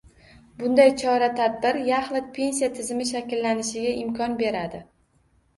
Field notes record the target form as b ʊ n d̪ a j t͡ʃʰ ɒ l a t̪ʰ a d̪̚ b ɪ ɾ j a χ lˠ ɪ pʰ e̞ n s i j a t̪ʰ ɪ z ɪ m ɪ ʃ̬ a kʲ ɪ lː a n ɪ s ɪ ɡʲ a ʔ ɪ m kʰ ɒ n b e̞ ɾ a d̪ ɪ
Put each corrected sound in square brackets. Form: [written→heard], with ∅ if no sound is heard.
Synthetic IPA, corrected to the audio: b ʊ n d̪ a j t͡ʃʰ ɒ [l→ɾ] a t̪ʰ a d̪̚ b ɪ ɾ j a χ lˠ ɪ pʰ e̞ n s i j a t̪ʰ ɪ z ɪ m ɪ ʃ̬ a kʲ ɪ lː a n ɪ [s→ʃ] ɪ ɡʲ a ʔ ɪ m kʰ ɒ n b e̞ ɾ a d̪ ɪ